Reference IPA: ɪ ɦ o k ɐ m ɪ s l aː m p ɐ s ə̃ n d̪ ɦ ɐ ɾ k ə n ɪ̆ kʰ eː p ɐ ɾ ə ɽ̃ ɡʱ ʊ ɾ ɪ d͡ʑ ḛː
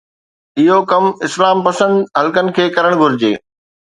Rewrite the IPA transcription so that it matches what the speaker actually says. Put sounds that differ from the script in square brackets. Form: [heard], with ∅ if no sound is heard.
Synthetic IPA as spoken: ɪ ɦ o k ɐ m ɪ s l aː m p ɐ s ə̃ n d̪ ɦ ɐ [l] k ə n ɪ̆ kʰ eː [k] ɐ ɾ ə ɽ̃ ɡʱ ʊ ɾ ɪ d͡ʑ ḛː